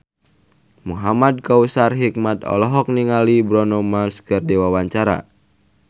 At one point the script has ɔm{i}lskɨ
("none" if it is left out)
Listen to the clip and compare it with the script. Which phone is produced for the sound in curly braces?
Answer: a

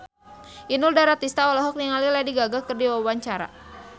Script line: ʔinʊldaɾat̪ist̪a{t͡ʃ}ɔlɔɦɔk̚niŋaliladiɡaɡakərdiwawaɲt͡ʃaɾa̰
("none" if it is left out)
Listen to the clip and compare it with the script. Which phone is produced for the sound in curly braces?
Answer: none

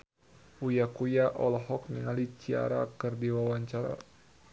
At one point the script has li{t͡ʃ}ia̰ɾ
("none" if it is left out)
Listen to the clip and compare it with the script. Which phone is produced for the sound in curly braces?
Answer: t͡ʃ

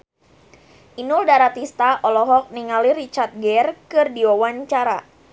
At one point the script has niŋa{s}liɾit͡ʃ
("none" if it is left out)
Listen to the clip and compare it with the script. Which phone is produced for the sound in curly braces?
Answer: none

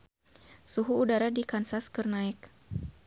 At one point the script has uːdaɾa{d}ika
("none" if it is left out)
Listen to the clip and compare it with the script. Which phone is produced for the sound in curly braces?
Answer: d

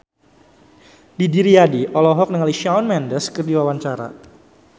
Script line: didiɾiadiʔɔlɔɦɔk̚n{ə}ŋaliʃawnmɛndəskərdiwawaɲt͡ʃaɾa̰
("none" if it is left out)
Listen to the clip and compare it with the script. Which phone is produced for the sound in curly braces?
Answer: ə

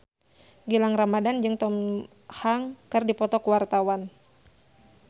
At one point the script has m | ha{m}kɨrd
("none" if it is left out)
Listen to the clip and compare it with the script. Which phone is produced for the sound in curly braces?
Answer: ŋ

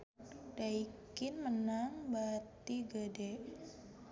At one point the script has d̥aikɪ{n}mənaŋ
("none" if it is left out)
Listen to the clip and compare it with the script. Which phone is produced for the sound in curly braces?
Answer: n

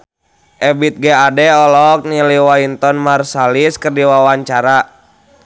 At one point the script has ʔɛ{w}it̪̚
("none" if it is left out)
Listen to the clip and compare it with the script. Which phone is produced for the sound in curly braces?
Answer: b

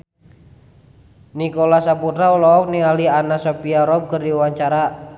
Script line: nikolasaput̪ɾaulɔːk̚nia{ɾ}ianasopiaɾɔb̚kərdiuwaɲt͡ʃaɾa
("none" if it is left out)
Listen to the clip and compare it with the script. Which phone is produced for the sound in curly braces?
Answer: l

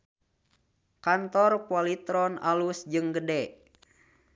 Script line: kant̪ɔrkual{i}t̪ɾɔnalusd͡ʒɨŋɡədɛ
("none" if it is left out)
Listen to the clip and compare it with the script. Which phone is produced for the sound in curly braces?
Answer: i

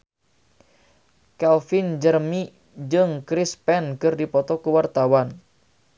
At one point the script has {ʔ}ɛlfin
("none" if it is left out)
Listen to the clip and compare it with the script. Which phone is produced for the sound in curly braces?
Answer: k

